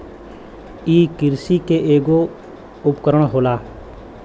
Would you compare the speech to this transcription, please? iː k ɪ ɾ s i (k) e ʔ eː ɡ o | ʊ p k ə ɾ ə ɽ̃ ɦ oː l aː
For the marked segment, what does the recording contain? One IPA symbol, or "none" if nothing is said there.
k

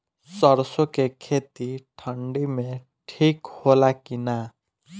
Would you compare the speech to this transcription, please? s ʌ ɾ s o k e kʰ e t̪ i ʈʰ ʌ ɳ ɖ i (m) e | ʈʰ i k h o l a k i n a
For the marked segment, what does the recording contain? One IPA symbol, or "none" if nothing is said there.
m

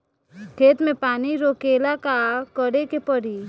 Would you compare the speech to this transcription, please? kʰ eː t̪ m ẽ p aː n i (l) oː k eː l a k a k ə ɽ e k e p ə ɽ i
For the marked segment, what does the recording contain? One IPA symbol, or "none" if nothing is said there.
ɾ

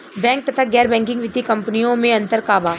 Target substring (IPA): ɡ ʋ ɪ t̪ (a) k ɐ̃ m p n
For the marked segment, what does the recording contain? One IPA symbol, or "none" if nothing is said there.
i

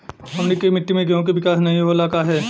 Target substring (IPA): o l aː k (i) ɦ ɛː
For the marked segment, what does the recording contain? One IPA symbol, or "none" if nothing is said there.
a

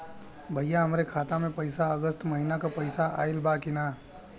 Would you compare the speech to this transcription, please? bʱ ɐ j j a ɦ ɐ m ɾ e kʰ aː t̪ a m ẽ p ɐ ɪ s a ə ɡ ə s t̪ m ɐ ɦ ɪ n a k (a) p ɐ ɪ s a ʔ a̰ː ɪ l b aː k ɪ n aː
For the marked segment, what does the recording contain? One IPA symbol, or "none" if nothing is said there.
a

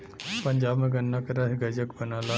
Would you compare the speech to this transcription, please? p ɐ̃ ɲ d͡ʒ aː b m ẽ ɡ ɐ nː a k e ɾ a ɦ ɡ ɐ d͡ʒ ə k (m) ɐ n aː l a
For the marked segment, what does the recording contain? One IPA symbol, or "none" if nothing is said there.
b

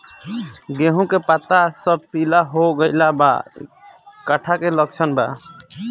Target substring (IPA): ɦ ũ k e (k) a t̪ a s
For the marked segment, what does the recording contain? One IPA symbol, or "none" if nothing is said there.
p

